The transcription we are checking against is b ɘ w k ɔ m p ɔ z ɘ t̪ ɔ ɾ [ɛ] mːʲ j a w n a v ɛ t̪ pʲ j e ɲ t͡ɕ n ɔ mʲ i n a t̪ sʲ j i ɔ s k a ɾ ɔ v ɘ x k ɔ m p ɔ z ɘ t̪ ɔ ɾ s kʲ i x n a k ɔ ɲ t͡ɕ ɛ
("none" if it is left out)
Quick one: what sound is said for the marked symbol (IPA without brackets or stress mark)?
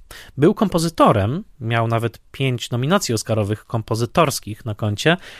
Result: ɛ